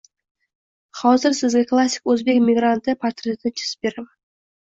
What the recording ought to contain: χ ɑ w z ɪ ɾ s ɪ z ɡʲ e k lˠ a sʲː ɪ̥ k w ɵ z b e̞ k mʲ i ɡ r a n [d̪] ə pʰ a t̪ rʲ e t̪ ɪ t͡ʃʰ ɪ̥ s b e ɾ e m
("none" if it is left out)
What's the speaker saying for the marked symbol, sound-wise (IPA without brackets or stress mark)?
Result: t̪